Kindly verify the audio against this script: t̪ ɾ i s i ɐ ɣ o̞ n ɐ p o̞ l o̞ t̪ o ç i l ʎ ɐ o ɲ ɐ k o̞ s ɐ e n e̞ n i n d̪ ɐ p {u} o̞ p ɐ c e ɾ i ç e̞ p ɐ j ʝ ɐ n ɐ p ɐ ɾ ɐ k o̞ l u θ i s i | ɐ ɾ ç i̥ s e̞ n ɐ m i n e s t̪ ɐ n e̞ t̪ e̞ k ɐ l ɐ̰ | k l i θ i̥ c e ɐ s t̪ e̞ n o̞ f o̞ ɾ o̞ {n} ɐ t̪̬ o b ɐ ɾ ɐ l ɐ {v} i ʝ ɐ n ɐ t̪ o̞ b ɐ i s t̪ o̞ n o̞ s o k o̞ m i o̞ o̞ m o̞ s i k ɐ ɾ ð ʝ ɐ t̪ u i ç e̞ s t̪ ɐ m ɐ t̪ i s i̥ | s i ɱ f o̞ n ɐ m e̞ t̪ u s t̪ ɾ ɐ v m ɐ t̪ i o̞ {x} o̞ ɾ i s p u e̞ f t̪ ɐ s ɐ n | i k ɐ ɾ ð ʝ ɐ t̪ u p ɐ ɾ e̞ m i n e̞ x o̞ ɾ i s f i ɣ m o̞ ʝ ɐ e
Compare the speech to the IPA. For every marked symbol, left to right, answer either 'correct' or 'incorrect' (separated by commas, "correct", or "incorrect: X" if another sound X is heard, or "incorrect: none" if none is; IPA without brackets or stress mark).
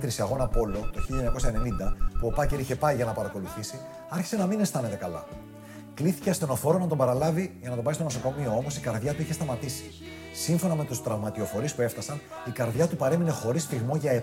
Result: correct, correct, correct, incorrect: f